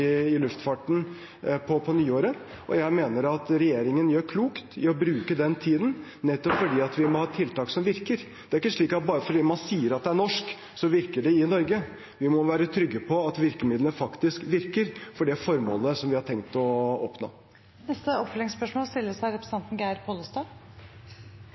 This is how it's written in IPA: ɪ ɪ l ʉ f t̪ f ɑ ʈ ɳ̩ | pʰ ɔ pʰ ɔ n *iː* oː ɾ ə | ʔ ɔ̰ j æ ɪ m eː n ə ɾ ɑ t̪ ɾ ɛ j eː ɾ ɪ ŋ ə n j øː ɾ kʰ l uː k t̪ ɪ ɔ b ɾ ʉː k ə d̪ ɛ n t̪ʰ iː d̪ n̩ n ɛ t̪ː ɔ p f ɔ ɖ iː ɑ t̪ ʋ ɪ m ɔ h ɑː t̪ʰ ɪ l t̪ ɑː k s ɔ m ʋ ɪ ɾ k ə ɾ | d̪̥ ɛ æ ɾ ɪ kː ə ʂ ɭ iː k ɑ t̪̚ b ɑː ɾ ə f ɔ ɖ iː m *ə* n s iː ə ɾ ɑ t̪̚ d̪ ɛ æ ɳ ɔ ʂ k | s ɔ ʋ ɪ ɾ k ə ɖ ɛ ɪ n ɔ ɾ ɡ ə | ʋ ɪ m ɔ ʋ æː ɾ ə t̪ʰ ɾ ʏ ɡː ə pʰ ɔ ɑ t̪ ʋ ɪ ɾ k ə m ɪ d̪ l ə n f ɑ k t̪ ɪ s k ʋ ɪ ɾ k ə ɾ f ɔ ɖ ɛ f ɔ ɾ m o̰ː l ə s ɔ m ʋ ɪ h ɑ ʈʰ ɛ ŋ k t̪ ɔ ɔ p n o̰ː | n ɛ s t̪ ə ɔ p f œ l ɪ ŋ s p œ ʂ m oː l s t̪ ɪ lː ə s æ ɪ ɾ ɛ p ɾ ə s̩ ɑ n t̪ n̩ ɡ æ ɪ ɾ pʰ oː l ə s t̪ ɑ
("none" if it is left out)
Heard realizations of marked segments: yː, ɑ

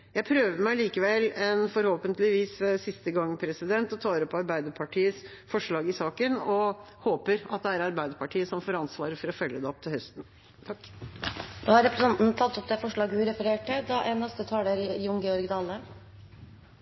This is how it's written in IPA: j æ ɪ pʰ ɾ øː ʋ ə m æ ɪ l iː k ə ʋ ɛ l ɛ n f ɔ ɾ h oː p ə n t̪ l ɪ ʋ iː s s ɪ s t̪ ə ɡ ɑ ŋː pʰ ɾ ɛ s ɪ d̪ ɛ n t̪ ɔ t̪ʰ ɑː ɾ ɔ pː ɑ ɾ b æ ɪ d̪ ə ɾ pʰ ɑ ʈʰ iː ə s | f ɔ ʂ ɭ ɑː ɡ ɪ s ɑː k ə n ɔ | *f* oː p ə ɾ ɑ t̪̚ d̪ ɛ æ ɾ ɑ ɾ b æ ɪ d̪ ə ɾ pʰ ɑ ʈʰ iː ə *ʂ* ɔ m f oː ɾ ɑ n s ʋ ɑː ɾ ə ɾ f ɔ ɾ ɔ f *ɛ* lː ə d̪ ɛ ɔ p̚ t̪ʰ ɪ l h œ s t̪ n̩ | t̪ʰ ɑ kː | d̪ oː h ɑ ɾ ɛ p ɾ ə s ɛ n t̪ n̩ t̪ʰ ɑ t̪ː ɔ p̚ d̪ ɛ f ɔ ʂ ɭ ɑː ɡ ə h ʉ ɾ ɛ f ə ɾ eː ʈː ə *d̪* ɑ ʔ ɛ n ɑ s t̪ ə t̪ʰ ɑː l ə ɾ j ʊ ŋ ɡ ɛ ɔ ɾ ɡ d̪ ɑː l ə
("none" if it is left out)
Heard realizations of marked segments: h, s, œ, d̪

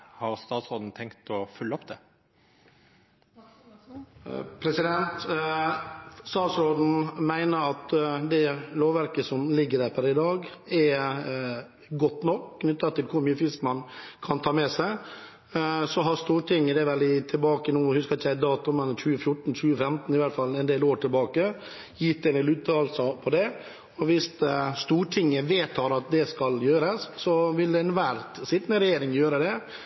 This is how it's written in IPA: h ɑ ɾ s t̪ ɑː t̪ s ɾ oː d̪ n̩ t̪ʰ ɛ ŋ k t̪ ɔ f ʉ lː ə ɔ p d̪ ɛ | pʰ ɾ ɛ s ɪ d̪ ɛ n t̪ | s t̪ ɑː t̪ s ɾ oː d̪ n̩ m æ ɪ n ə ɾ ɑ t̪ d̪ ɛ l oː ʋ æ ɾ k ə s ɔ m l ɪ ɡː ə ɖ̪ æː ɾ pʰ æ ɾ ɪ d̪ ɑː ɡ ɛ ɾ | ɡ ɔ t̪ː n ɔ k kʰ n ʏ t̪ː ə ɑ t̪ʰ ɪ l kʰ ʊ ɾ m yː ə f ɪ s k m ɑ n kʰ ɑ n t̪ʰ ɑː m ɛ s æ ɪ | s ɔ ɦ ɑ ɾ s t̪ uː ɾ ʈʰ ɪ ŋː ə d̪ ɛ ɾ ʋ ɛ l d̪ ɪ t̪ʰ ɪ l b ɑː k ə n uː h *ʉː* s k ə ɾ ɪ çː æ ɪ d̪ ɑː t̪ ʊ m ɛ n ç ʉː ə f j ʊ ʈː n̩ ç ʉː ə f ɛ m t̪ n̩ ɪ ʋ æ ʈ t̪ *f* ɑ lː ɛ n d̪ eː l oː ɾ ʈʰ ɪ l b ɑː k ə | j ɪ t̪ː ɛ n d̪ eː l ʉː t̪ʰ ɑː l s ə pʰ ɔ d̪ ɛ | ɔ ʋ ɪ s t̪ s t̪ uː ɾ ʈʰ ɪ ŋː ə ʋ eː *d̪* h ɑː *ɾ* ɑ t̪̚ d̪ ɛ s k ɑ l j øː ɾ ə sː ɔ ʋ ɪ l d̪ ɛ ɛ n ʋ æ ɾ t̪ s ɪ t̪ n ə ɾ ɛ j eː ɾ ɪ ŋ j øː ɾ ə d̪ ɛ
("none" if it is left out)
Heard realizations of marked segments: ʉ, f, t̪, ɾ

